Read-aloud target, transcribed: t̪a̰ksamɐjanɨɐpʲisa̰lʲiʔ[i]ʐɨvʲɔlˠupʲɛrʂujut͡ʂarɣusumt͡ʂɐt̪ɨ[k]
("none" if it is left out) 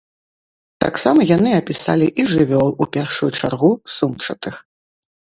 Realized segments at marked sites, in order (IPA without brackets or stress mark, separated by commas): i, x